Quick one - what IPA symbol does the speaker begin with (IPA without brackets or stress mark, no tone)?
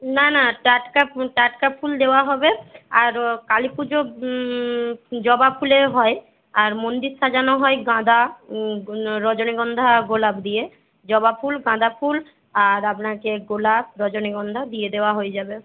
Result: n